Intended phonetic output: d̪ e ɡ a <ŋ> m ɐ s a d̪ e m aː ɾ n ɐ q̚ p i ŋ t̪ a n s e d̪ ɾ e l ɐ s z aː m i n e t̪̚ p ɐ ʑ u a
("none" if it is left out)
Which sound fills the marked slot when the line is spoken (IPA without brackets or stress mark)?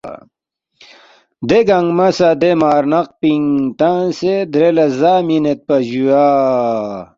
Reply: ŋ